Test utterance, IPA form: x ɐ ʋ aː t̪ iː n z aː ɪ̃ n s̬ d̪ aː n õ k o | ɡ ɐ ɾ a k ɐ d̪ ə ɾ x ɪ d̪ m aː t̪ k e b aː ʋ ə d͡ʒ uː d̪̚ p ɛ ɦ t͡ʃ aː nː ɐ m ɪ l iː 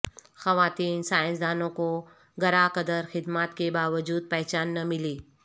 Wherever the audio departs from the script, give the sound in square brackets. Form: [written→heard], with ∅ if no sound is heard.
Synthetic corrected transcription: x ɐ ʋ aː t̪ iː n [z→s] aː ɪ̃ n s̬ d̪ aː n õ k o | ɡ ɐ ɾ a k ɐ d̪ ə ɾ x ɪ d̪ m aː t̪ k e b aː ʋ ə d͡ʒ uː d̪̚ p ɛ ɦ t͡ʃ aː nː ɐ m ɪ l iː